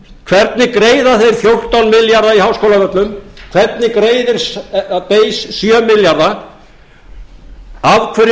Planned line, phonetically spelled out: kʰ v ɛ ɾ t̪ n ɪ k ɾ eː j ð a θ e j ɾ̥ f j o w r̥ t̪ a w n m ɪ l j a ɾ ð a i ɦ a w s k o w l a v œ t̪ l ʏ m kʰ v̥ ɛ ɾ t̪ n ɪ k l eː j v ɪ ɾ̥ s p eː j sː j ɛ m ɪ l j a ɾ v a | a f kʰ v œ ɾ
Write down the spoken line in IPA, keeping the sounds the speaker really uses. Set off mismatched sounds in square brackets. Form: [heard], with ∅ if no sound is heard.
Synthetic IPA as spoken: kʰ v ɛ ɾ t̪ n ɪ k ɾ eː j ð a θ e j ɾ̥ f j o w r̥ t̪ a w n m ɪ l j a ɾ ð a i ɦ a w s k o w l a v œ t̪ l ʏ m kʰ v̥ ɛ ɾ t̪ n ɪ k [ɾ] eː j [ð] ɪ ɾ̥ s p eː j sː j [œ] m ɪ l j a ɾ [ð] a | a [v] kʰ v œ ɾ